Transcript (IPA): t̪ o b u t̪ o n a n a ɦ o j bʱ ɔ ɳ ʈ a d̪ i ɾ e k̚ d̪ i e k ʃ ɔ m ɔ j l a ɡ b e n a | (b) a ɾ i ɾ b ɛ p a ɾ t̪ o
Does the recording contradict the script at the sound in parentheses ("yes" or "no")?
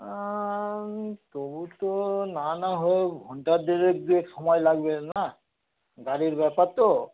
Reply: yes